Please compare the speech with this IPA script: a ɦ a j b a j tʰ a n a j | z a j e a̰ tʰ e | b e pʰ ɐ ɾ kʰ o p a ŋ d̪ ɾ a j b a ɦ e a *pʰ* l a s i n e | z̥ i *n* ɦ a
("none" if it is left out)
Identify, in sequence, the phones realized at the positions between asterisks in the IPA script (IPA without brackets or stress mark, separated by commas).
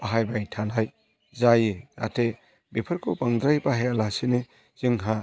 none, ŋ